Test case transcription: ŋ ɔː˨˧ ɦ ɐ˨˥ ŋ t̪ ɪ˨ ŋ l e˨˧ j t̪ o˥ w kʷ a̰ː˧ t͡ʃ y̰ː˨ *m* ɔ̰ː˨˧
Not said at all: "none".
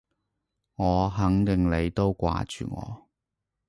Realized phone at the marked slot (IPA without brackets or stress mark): ŋ